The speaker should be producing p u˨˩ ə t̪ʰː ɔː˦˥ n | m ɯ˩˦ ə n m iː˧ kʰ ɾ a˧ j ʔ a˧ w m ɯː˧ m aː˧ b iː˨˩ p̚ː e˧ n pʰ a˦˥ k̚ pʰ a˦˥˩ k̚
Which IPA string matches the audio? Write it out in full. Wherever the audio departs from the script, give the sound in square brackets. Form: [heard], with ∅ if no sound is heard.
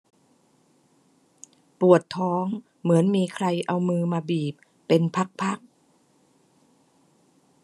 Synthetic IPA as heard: p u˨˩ ə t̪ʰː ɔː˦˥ [ŋ] | m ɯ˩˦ ə n m iː˧ kʰ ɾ a˧ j ʔ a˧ w m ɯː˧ m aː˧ b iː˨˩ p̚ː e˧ n pʰ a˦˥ k̚ pʰ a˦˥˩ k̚